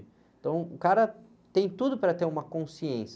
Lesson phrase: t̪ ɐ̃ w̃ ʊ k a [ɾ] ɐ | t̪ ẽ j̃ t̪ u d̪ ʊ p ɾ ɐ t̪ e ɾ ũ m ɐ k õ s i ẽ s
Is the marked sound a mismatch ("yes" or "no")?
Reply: no